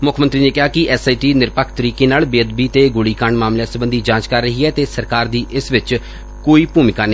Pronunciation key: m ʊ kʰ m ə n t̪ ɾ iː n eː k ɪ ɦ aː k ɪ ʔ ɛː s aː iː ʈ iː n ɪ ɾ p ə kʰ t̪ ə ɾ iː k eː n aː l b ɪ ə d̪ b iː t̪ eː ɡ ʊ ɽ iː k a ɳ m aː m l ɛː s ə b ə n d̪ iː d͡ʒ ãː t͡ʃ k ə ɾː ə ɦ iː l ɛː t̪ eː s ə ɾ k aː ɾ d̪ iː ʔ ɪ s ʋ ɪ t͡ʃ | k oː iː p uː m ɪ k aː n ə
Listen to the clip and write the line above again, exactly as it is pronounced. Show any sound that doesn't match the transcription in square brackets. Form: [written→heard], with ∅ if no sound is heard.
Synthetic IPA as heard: m ʊ kʰ m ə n t̪ ɾ iː n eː k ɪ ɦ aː k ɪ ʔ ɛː s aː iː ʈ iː n ɪ ɾ p ə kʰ t̪ ə ɾ iː k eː n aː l b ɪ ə d̪ b iː t̪ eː ɡ ʊ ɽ iː k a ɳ m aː m l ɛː s ə b ə n d̪ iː d͡ʒ ãː t͡ʃ k ə ɾː ə ɦ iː [l→∅] ɛː t̪ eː s ə ɾ k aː ɾ d̪ iː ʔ ɪ s ʋ ɪ t͡ʃ | k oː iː p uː m ɪ k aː n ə